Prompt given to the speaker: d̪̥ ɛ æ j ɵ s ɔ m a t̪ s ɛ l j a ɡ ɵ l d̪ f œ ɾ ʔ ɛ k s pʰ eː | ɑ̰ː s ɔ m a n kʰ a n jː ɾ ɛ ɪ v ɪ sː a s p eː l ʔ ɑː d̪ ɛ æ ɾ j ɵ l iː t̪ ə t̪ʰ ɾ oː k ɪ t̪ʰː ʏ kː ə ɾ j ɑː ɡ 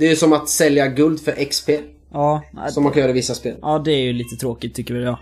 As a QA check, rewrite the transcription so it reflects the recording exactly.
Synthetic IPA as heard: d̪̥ ɛ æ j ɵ s ɔ m a t̪ s ɛ l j a ɡ ɵ l d̪ f œ ɾ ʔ ɛ k s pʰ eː | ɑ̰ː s ɔ m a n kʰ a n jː ɾ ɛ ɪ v ɪ sː a s p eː l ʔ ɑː d̪ ɛ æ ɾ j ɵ l iː t̪ ə t̪ʰ ɾ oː k ɪ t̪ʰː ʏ kː ə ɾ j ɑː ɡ